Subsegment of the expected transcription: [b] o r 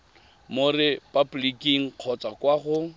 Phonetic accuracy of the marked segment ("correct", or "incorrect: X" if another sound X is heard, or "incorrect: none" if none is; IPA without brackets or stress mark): incorrect: m